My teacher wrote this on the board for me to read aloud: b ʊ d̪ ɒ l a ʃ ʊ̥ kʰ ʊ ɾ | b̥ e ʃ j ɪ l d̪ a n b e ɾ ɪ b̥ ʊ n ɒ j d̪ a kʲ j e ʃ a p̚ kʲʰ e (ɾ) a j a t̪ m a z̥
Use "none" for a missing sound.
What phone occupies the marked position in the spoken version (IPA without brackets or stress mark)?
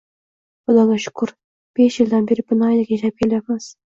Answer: l